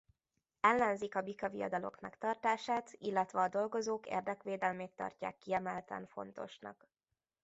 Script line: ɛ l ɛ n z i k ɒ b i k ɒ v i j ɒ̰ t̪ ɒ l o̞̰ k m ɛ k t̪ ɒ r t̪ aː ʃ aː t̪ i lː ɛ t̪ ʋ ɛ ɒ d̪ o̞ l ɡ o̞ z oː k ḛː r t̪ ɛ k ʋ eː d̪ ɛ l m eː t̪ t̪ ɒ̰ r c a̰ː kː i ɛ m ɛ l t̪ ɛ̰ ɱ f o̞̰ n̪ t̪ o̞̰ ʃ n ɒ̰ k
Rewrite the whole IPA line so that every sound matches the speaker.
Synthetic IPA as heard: ɛ lː ɛ n z i k ɒ b i k ɒ v i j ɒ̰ d̪ ɒ l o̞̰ k m ɛ k t̪ ɒ r t̪ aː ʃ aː t̪ i lː ɛ t̪ ʋ ɛ ɒ d̪ o̞ l ɡ o̞ z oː k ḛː r d̪ ɛ k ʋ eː d̪ ɛ l m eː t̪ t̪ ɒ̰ r c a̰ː kː i ɛ m ɛ l t̪ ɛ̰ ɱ f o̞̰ n̪ t̪ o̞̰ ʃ n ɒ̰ k